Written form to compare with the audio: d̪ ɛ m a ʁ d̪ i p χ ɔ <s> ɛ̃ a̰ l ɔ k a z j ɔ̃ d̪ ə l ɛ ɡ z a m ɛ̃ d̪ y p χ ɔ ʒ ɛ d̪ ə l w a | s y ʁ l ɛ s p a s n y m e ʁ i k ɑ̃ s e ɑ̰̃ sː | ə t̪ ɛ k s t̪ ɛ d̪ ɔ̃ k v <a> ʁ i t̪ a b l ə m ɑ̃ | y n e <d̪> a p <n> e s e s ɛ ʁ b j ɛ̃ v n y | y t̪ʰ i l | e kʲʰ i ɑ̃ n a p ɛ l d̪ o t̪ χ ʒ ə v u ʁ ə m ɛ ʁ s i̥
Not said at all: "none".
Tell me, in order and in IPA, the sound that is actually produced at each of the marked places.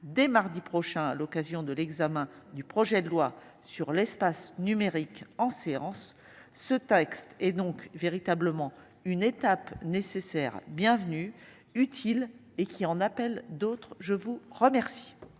ʃ, e, t̪, n

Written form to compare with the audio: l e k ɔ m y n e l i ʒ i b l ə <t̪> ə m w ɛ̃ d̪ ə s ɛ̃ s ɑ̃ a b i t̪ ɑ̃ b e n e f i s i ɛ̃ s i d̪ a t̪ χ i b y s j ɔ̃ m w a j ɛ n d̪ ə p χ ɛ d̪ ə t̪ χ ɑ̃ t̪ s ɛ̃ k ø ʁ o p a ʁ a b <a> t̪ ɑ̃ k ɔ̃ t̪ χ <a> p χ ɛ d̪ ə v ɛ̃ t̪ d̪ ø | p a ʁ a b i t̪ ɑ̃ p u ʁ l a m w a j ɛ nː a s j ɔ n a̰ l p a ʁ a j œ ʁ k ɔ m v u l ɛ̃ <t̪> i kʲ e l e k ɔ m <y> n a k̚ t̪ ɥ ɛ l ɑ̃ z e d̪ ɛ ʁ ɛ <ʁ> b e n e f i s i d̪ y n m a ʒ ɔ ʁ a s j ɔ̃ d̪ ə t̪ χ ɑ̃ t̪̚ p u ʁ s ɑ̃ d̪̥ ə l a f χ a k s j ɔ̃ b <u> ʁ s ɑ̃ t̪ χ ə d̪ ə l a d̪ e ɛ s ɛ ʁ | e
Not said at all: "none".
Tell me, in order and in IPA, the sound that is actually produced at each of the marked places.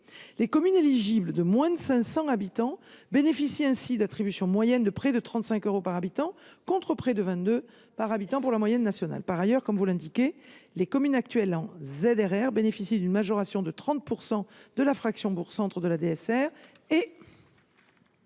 d̪, i, ə, d̪, y, ʁ, u

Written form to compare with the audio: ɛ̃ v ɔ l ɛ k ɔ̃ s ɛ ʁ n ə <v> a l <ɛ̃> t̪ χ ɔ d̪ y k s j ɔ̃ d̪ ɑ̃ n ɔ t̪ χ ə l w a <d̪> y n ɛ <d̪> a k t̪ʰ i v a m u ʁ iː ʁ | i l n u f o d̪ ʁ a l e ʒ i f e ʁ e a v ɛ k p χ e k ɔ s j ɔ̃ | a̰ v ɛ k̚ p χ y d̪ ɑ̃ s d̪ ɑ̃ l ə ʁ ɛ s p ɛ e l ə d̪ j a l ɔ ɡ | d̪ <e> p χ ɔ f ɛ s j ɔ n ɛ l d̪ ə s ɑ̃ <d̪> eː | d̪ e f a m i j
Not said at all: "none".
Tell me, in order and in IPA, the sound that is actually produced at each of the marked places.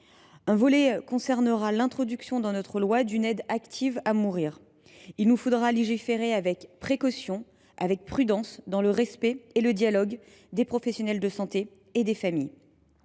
ʁ, ɛ̃, d̪, d̪, e, t̪

